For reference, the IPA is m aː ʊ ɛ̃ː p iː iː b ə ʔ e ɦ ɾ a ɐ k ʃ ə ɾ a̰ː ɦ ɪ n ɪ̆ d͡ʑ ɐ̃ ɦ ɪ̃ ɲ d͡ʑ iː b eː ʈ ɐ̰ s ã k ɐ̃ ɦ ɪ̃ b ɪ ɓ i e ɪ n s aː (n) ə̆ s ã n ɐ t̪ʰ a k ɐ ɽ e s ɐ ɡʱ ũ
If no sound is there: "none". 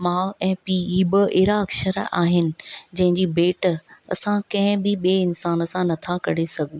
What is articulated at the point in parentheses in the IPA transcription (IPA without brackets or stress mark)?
n